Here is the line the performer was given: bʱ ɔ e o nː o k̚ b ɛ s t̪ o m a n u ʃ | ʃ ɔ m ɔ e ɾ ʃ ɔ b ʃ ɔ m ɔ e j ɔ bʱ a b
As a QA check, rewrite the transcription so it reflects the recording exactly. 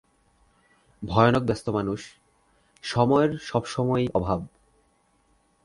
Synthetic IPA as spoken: bʱ ɔ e o n o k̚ b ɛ s t̪ o m a n u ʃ | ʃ ɔ m ɔ e ɾ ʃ ɔ b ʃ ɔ m ɔ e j ɔ bʱ a b